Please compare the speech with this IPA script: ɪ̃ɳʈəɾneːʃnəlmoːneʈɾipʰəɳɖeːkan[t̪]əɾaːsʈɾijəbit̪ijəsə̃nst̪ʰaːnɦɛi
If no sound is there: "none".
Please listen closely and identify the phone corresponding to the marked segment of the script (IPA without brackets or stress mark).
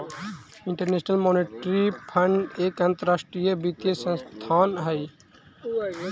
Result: t̪